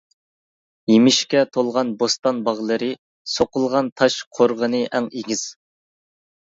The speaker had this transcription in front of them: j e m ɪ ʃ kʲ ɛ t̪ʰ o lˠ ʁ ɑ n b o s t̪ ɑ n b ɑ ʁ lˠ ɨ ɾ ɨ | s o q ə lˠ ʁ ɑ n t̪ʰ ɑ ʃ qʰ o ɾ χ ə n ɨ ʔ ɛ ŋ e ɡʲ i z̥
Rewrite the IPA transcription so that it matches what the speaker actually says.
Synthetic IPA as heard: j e m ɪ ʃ kʲ ɛ t̪ʰ o lˠ ʁ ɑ n b o s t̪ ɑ n b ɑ ʁ lˠ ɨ ɾ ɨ | s o q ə lˠ ʁ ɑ n t̪ʰ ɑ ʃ qʰ o ɾ ʁ ə n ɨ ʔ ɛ ŋ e ɡʲ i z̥